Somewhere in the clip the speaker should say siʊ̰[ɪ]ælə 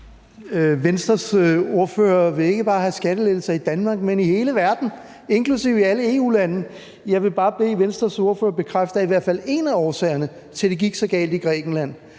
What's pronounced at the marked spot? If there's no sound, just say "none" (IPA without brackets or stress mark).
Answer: i